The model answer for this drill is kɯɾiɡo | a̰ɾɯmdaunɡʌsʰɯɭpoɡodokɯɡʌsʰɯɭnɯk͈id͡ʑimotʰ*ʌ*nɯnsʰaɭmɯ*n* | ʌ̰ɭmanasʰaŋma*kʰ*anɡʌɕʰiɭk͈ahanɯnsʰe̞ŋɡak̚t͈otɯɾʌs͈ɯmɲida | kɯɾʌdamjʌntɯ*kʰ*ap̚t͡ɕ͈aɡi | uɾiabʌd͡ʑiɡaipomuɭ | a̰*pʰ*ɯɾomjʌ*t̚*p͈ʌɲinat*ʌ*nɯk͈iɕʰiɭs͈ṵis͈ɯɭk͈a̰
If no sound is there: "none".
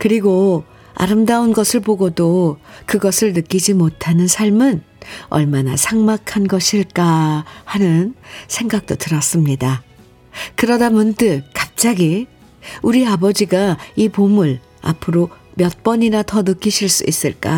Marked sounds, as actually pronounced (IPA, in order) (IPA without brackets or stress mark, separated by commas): a, n, kʰ, k, pʰ, t̚, ʌ